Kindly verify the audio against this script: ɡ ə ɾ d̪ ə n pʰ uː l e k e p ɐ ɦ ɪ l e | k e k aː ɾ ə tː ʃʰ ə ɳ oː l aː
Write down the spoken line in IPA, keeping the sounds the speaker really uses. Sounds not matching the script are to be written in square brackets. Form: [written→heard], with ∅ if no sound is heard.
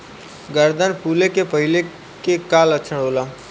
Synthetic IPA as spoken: ɡ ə ɾ d̪ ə n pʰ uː l e k e p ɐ ɦ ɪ l e | k e k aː [ɾ→l] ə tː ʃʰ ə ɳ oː l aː

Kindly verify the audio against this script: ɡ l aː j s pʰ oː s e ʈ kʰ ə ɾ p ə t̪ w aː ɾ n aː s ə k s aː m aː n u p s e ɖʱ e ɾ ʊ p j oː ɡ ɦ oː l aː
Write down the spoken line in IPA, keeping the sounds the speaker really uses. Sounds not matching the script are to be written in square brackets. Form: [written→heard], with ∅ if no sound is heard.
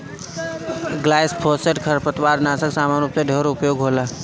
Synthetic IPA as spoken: ɡ l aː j s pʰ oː s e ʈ kʰ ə ɾ p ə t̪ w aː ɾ n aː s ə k s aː m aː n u p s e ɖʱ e ɾ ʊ p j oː ɡ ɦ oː l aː

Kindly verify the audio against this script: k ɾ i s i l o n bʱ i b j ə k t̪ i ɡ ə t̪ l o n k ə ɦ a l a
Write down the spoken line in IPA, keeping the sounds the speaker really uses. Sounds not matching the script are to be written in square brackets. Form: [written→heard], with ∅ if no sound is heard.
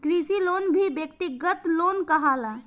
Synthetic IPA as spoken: k ɾ i s i l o n bʱ i b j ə k t̪ i ɡ ə t̪ l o n k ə ɦ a l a

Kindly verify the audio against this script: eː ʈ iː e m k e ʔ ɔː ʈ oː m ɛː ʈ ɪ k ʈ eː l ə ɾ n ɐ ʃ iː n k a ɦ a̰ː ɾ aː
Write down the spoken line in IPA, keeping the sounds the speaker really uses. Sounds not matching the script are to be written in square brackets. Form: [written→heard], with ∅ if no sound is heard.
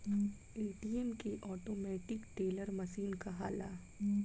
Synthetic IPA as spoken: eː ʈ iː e m k e ʔ ɔː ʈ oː m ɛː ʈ ɪ k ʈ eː l ə ɾ [n→m] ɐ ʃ iː n k a ɦ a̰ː [ɾ→l] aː

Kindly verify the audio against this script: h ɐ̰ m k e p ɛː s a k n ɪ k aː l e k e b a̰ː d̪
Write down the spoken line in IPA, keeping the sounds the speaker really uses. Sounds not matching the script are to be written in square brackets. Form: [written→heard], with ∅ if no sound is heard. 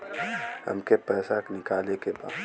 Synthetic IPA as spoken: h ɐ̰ m k e p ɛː s a k n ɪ k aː l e k e b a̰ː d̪

